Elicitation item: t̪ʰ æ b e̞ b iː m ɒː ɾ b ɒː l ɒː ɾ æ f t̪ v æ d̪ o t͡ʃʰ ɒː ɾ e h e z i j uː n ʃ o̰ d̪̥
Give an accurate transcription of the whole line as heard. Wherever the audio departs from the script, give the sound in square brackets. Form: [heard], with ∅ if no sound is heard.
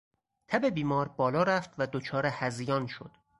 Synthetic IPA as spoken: t̪ʰ æ b e̞ b iː m ɒː ɾ b ɒː l ɒː ɾ æ f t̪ v æ d̪ o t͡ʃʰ ɒː ɾ e h [æ] z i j [ɒː] n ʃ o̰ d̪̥

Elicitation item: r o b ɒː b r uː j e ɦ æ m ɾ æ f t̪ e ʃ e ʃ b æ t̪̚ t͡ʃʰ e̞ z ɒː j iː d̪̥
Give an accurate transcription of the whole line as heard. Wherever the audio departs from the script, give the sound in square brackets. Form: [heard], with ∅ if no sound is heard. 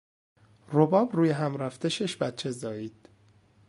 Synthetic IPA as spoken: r o b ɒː b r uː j e ɦ æ m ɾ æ f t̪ e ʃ e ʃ b æ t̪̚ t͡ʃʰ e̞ z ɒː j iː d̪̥

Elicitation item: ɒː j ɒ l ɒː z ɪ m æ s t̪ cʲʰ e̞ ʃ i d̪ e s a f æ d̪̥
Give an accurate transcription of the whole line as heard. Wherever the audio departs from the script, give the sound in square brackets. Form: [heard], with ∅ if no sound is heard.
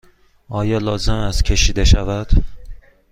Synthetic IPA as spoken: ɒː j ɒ l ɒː z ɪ m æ s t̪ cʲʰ e̞ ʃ i d̪ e [ʃ] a [v] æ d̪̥

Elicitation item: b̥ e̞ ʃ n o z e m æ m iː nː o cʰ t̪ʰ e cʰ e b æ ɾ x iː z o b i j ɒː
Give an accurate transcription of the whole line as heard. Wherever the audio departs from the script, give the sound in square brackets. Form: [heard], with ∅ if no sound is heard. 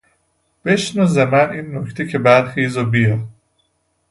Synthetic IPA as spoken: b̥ e̞ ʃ n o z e m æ [n] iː nː o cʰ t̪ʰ e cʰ e b æ ɾ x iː z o b i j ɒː

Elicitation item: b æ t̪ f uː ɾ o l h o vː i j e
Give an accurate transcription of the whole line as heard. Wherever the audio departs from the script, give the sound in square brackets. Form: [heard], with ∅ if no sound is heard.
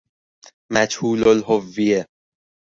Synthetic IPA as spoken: [m] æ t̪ [h] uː [l] o l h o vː i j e

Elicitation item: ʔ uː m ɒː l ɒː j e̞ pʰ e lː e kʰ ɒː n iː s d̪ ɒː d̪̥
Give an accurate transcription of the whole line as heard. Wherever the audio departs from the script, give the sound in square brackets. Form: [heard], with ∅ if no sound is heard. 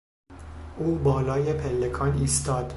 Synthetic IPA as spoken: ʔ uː [b] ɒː l ɒː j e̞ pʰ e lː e kʰ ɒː n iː s [t̪] ɒː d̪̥

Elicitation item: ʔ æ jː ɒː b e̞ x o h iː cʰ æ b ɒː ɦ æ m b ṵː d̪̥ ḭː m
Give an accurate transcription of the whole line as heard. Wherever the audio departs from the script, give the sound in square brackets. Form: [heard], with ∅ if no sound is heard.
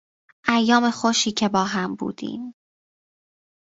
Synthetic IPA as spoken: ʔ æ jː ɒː [m] e̞ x o [ʃ] iː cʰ [e] b ɒː ɦ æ m b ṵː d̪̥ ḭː m

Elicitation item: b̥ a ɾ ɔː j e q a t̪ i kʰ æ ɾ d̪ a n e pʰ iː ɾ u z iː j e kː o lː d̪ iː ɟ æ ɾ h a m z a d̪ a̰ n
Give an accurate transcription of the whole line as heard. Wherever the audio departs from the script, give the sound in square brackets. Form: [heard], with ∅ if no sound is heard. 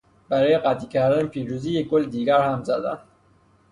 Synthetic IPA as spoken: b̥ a ɾ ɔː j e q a t̪ i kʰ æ ɾ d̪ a n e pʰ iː ɾ u z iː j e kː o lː d̪ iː [ɡ] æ ɾ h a m z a d̪ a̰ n

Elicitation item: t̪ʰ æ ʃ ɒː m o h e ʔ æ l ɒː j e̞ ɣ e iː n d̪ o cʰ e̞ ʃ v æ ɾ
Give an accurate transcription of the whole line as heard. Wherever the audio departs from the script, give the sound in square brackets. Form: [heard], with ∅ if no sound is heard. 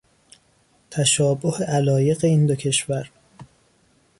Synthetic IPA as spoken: t̪ʰ æ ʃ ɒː [b] o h e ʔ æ l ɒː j e̞ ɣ e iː n d̪ o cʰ e̞ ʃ v æ ɾ

